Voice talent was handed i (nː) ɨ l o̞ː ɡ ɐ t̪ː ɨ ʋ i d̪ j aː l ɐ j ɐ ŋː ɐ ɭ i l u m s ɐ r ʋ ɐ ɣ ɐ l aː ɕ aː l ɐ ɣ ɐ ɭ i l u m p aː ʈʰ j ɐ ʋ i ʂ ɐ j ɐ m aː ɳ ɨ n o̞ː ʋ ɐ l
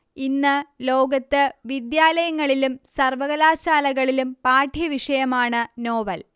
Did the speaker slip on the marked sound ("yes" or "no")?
no